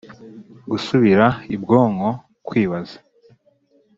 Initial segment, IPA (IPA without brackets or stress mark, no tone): ɡ